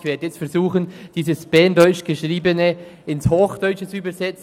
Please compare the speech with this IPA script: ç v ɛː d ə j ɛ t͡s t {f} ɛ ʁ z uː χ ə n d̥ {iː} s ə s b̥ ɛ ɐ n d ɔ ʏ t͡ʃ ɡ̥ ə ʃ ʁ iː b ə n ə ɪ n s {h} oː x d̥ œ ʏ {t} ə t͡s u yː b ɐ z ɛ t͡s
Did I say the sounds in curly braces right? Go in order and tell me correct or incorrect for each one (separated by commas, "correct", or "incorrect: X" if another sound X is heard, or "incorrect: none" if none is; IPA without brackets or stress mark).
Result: correct, correct, correct, incorrect: t͡ʃ